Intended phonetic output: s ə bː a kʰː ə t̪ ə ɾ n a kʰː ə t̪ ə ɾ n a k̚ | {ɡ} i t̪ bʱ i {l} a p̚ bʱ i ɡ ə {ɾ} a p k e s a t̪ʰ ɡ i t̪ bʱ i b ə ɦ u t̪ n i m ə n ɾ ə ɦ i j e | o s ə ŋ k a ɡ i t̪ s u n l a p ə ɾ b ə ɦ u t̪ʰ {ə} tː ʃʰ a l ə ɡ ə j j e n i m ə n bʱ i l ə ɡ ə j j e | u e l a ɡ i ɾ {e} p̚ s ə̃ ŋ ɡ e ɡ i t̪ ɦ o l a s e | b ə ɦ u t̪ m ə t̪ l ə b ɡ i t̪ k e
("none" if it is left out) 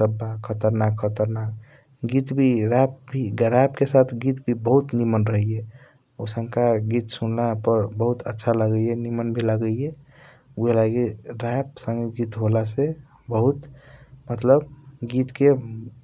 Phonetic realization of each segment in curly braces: ɡ, ɾ, ɾ, ə, a

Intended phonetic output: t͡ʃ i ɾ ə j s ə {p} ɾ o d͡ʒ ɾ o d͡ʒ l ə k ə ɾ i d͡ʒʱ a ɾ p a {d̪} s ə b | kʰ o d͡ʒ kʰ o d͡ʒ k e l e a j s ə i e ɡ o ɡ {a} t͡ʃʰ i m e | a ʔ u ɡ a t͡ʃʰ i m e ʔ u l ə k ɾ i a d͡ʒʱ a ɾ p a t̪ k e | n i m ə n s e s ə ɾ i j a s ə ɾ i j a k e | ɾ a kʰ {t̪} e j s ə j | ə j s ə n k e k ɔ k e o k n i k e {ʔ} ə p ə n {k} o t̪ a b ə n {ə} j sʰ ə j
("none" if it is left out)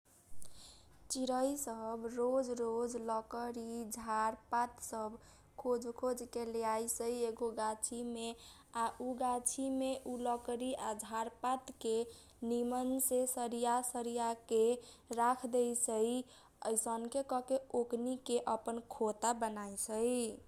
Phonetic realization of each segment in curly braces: b, t̪, a, d̪, ʔ, kʰ, a

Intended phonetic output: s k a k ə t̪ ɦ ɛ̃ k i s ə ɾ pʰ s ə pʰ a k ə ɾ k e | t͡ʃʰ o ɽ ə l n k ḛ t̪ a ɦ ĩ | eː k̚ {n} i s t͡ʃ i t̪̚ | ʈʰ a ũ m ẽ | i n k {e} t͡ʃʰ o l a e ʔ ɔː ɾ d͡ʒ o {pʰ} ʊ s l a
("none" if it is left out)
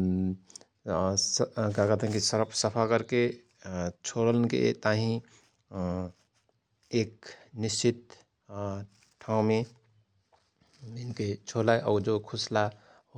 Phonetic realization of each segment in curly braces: n, e, kʰ

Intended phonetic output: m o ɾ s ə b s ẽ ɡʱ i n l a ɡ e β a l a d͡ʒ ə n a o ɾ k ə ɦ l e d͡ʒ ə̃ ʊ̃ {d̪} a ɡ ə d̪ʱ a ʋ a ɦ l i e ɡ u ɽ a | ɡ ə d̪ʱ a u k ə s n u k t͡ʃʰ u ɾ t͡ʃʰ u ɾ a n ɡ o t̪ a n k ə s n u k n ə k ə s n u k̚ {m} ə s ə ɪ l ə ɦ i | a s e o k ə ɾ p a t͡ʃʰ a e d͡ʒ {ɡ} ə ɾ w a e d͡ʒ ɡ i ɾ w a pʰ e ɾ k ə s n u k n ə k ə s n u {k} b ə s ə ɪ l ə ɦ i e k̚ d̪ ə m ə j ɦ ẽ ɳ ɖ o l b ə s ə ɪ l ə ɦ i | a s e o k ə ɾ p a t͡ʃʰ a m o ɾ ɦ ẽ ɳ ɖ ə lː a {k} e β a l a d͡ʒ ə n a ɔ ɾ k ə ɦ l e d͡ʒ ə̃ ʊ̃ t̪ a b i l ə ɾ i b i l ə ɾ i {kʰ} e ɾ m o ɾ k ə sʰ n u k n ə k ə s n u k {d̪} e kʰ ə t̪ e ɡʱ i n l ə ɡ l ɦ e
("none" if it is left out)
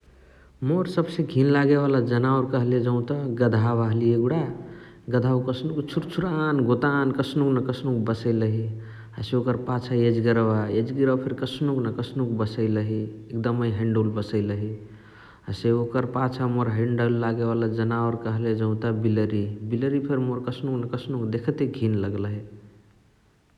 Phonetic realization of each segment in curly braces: t̪, b, ɡ, k, ɡ, pʰ, d̪

